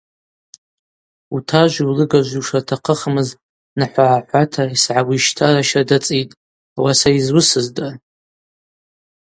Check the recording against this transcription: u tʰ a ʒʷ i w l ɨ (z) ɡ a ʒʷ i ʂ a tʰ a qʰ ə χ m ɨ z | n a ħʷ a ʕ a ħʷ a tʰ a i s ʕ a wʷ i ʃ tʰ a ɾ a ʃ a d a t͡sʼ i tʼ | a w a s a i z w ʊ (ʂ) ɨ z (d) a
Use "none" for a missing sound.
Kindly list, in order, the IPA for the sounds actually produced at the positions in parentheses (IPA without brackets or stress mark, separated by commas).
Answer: none, s, d